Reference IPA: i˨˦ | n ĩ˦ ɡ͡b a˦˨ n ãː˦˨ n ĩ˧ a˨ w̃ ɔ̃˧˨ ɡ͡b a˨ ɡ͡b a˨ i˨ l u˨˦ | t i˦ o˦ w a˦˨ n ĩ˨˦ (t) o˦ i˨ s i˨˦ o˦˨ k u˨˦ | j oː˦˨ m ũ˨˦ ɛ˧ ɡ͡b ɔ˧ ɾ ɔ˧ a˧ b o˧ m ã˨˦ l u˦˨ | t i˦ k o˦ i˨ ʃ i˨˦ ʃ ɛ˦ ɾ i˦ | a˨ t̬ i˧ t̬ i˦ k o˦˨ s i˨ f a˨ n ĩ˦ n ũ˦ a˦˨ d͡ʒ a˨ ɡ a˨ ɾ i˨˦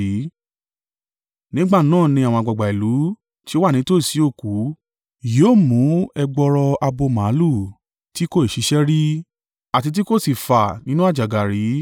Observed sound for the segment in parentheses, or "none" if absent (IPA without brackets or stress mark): t